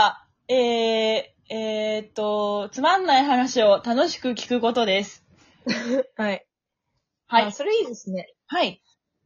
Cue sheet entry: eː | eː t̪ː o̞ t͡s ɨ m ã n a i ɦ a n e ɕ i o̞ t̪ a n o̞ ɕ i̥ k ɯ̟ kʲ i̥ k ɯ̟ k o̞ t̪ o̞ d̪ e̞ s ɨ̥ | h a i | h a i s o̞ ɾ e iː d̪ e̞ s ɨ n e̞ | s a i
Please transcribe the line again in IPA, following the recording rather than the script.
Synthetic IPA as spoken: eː | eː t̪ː o̞ t͡s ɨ m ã nː a i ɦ a n a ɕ i o̞ t̪ a n o̞ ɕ i̥ k ɯ̟ kʲ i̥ k ɯ̟ k o̞ t̪ o̞ d̪ e̞ s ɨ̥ | h a i | h a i s o̞ ɾ e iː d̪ e̞ s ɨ n e̞ | h a i